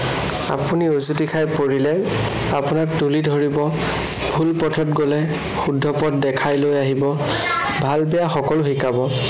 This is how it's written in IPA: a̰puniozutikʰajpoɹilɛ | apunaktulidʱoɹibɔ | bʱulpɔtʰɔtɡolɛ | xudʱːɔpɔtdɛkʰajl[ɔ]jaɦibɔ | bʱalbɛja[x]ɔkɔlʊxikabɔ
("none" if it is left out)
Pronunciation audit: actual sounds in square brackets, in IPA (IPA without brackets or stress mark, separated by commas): o, x